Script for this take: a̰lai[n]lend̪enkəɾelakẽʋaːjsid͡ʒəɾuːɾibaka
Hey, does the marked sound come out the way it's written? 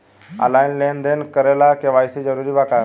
yes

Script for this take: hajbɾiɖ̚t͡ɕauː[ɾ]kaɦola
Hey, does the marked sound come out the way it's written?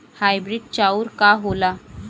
yes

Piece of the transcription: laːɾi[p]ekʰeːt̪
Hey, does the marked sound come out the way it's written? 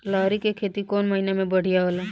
no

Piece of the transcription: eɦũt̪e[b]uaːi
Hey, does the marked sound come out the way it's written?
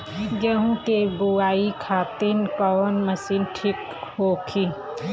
yes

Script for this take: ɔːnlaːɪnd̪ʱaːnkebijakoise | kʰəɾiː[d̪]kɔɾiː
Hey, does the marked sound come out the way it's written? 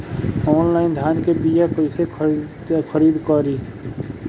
yes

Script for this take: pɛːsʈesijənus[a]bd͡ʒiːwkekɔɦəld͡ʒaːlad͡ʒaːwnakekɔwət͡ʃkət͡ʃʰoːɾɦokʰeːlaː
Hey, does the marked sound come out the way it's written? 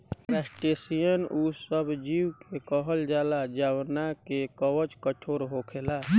no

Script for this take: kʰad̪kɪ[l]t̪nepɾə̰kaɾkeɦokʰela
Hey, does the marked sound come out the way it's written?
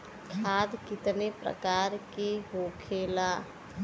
no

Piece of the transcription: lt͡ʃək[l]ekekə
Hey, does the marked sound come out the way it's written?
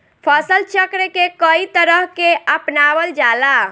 no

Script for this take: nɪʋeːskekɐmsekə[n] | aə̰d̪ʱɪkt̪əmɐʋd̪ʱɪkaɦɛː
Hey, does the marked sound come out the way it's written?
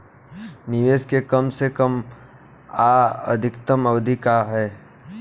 no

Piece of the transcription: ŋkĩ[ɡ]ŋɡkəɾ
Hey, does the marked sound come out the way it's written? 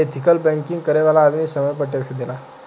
no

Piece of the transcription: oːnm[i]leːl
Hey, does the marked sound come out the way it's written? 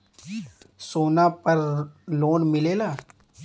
no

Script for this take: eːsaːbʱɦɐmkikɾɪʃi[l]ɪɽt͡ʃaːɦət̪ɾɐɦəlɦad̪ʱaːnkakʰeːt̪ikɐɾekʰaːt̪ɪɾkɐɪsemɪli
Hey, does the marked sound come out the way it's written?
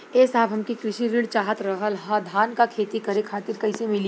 no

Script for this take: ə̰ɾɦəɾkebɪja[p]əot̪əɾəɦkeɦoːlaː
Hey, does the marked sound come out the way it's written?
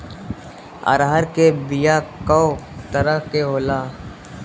no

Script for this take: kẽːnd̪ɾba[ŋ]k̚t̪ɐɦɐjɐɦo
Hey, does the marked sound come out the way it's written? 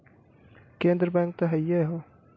yes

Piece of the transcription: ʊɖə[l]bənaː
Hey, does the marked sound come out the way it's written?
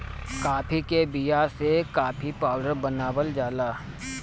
no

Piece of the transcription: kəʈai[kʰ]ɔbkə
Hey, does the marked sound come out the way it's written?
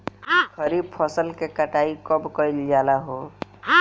no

